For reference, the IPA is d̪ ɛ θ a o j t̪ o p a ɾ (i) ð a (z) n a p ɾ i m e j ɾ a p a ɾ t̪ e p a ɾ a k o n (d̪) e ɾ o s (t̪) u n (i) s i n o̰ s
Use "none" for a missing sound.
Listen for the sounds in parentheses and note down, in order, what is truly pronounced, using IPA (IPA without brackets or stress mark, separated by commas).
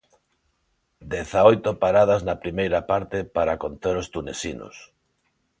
a, z, t̪, t̪, e